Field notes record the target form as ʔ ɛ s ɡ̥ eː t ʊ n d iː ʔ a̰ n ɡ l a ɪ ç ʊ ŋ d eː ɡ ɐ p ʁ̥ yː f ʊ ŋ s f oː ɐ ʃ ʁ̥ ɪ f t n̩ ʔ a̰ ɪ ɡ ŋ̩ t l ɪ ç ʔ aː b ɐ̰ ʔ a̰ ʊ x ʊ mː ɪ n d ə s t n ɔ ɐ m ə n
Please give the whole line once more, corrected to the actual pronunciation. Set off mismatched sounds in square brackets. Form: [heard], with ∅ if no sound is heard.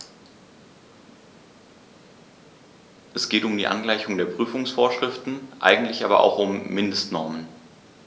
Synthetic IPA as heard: ʔ ɛ s ɡ̥ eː t ʊ [m] d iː ʔ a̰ n ɡ l a ɪ ç ʊ ŋ d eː [∅] ɐ p ʁ̥ yː f ʊ ŋ s f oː ɐ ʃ ʁ̥ ɪ f t n̩ ʔ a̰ ɪ ɡ ŋ̩ t l ɪ ç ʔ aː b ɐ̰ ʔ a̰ ʊ x ʊ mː ɪ n d ə s t n ɔ ɐ m ə n